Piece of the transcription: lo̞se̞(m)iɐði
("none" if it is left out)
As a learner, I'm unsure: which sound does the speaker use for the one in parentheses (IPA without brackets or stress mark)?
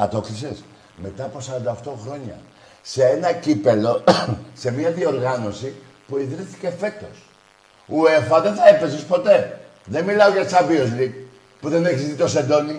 m